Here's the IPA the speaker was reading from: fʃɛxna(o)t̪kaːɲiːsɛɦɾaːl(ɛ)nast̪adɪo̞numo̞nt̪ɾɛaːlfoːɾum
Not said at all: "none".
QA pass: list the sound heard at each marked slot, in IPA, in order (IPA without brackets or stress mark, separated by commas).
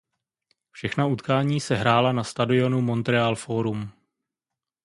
u, a